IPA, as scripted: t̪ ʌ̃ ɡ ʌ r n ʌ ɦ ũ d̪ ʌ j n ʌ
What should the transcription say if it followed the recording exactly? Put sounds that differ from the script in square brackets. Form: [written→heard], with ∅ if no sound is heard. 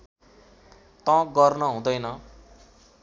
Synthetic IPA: t̪ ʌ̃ ɡ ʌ r n ʌ ɦ ũ d̪ ʌ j n ʌ